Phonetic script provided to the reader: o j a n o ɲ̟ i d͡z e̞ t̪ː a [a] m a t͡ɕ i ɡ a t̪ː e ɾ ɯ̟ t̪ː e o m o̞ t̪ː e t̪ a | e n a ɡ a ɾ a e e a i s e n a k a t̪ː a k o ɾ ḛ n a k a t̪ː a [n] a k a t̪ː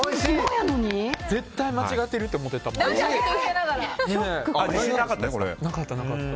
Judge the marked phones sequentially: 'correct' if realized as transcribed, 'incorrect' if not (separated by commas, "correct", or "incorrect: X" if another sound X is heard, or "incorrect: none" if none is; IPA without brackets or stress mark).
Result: incorrect: i, correct